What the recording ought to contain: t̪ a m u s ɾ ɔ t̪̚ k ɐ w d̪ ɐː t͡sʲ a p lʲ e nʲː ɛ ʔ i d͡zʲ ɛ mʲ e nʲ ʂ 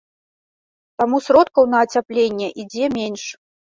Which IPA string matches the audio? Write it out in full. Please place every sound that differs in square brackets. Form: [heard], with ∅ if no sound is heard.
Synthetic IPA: t̪ a m u s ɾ ɔ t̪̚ k ɐ w [n̪] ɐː t͡sʲ a p lʲ e nʲː ɛ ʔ i d͡zʲ ɛ mʲ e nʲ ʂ

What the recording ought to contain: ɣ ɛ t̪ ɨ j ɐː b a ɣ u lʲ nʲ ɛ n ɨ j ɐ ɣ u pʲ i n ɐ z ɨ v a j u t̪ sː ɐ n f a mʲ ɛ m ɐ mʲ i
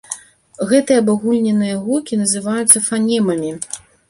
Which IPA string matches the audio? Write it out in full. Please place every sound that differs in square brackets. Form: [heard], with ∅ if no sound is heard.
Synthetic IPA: ɣ ɛ t̪ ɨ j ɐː b a ɣ u lʲ nʲ ɛ n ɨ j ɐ ɣ u [kʲ] i n ɐ z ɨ v a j u t̪ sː ɐ [∅] f a [nʲ] ɛ m ɐ mʲ i

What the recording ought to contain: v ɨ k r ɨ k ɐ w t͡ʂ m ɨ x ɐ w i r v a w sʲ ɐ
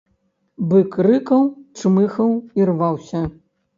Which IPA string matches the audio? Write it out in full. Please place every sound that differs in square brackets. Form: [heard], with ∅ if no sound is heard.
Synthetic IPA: [b] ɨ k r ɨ k ɐ w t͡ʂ m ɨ x ɐ w i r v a w sʲ ɐ

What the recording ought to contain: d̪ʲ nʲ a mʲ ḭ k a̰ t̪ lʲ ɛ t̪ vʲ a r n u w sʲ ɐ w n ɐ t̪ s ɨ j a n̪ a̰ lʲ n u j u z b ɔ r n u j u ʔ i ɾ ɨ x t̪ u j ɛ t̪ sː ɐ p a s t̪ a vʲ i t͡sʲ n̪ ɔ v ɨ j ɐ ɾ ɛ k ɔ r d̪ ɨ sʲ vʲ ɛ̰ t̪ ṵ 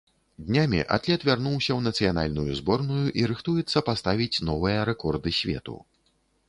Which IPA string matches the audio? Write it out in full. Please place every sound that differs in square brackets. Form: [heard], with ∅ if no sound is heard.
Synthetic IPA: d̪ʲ nʲ a mʲ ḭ [ʔ] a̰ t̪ lʲ ɛ t̪ vʲ a r n u w sʲ ɐ w n ɐ t̪ s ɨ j a n̪ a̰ lʲ n u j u z b ɔ r n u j u ʔ i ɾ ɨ x t̪ u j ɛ t̪ sː ɐ p a s t̪ a vʲ i t͡sʲ n̪ ɔ v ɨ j ɐ ɾ ɛ k ɔ r d̪ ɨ sʲ vʲ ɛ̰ t̪ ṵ

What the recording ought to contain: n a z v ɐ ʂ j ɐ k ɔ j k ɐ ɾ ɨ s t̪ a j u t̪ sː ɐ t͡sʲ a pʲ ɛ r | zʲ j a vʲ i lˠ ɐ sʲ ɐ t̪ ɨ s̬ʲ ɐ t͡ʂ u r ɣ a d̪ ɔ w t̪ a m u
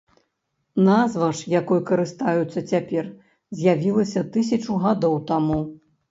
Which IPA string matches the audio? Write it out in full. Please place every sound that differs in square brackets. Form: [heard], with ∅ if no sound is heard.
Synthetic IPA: n a z v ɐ ʂ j [a] k ɔ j k ɐ ɾ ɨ s t̪ a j u t̪ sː ɐ t͡sʲ a pʲ ɛ r | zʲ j a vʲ i lˠ ɐ sʲ ɐ t̪ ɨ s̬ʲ ɐ t͡ʂ u [∅] ɣ a d̪ ɔ w t̪ a m u

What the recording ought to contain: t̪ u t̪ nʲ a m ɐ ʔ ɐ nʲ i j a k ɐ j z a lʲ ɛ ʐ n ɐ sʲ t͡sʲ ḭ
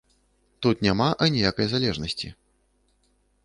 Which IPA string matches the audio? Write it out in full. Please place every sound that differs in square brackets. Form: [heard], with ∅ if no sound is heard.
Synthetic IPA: t̪ u t̪ nʲ a m [a] ʔ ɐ nʲ i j a k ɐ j z a lʲ ɛ ʐ n ɐ sʲ t͡sʲ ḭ

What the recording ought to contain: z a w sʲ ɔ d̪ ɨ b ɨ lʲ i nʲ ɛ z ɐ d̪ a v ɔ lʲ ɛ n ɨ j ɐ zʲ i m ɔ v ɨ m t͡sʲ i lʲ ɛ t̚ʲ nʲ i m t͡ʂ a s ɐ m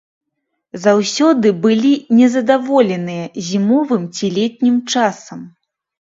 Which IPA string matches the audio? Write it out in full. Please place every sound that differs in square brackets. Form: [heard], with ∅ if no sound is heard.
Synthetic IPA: z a w sʲ ɔ d̪ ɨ b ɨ lʲ i nʲ ɛ z ɐ d̪ a v ɔ lʲ ɛ n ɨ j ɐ zʲ i m ɔ v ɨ m t͡sʲ i lʲ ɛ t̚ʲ nʲ i m t͡ʂ a s ɐ m

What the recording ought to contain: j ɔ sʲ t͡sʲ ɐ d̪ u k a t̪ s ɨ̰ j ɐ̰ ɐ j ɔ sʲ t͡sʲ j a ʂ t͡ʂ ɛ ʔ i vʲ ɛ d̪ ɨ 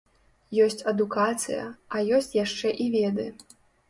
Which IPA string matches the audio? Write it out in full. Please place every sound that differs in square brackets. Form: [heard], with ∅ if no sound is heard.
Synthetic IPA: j ɔ sʲ t͡sʲ ɐ d̪ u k a t̪ s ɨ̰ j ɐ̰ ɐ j ɔ sʲ t͡sʲ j a ʂ t͡ʂ ɛ ʔ i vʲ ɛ d̪ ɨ

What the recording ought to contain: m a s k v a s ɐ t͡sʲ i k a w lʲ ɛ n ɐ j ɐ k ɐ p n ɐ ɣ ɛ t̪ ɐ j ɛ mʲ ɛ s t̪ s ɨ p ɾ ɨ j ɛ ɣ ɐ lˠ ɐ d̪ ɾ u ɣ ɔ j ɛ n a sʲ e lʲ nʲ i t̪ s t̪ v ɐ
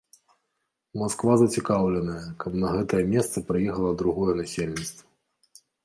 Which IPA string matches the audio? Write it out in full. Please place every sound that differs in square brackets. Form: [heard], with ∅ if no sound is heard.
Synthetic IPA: m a s k v a [z] ɐ t͡sʲ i k a w lʲ ɛ n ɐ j ɐ k ɐ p n ɐ ɣ ɛ t̪ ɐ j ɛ mʲ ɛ s t̪ s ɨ p ɾ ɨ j ɛ [x] ɐ lˠ ɐ d̪ ɾ u ɣ ɔ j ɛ n a sʲ e lʲ nʲ i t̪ s t̪ v ɐ

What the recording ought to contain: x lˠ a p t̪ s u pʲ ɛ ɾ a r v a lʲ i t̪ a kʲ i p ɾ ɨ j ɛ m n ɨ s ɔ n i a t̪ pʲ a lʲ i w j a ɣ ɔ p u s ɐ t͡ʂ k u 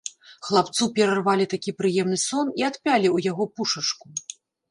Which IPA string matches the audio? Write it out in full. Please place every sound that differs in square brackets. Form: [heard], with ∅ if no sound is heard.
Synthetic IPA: x lˠ a p t̪ s u pʲ ɛ ɾ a r v a lʲ i t̪ a kʲ i p ɾ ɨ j ɛ m n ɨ s ɔ n i a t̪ pʲ a lʲ i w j a ɣ ɔ p u [ʂ] ɐ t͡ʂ k u

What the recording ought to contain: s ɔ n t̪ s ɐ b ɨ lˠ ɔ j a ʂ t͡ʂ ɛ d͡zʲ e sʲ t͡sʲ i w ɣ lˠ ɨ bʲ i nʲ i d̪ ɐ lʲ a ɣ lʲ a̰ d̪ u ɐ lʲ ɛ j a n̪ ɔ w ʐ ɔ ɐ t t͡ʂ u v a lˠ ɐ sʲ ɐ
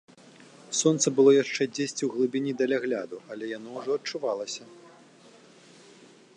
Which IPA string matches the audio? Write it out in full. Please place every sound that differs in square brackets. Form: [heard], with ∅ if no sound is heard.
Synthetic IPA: s ɔ n t̪ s ɐ b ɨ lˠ ɔ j a ʂ t͡ʂ ɛ d͡zʲ e sʲ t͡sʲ i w ɣ lˠ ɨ bʲ i nʲ i d̪ ɐ lʲ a ɣ lʲ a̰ d̪ u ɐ lʲ ɛ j a n̪ ɔ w ʐ ɔ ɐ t t͡ʂ u v a lˠ ɐ sʲ ɐ

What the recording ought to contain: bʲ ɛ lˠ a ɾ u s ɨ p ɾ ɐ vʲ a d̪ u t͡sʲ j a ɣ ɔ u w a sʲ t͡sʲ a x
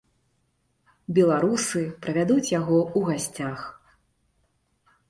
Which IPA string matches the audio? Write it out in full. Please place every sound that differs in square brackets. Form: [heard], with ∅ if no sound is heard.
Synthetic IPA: bʲ ɛ lˠ a ɾ u s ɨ p ɾ ɐ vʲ a d̪ u t͡sʲ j a ɣ ɔ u [ɣ] a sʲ t͡sʲ a x

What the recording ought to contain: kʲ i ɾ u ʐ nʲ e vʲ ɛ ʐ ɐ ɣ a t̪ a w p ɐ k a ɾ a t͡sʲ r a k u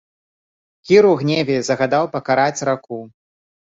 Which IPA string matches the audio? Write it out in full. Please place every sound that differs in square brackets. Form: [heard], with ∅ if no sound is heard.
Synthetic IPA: kʲ i ɾ u [ɣ] nʲ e vʲ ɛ [z] ɐ ɣ a [d̪] a w p ɐ k a ɾ a t͡sʲ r a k u

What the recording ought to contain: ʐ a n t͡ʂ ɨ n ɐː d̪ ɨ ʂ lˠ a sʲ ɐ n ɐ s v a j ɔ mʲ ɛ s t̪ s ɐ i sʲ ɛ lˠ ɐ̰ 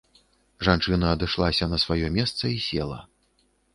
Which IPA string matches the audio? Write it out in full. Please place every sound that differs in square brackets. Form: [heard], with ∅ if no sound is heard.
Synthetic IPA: ʐ a n t͡ʂ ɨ n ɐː d̪ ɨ ʂ lˠ a sʲ ɐ n ɐ s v a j ɔ mʲ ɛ s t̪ s ɐ i sʲ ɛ lˠ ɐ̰

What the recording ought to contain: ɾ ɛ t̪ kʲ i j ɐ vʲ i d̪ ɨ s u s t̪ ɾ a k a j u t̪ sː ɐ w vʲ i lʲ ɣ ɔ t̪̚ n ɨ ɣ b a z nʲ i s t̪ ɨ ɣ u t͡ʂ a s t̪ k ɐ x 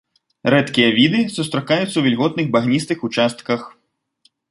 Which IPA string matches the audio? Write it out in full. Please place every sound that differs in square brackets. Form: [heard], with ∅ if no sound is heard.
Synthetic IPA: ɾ ɛ t̪ kʲ i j ɐ vʲ i d̪ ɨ s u s t̪ ɾ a k a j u t̪ sː ɐ w vʲ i lʲ ɣ ɔ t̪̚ n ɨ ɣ b a [ɣ] nʲ i s t̪ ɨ [x] u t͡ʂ a s t̪ k ɐ x

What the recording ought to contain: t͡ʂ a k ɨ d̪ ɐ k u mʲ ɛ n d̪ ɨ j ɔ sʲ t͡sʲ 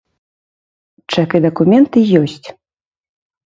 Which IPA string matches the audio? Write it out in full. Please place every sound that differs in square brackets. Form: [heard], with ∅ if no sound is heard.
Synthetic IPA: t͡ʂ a k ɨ d̪ ɐ k u mʲ ɛ n [t̪] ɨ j ɔ sʲ t͡sʲ

